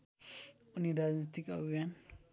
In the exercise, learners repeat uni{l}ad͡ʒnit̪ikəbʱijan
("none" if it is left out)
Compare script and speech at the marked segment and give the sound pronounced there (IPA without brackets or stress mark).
ɾ